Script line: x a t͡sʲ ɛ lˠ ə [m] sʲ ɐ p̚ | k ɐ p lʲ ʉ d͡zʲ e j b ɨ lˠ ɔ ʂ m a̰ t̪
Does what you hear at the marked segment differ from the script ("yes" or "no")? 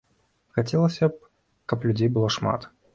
yes